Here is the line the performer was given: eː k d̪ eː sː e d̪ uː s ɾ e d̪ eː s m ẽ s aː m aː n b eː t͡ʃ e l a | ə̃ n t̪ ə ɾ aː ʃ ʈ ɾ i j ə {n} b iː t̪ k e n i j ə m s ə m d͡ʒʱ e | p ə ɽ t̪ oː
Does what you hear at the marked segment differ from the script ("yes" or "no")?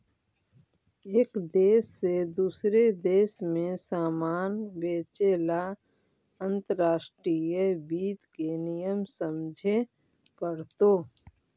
yes